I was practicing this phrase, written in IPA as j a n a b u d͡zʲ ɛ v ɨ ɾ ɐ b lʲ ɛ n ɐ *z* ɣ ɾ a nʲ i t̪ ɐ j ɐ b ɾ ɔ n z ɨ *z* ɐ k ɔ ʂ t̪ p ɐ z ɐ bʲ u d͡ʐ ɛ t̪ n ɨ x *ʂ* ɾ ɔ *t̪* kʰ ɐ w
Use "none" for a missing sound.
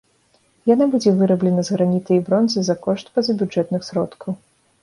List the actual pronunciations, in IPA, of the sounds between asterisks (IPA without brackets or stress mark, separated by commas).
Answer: z, z, s, t̪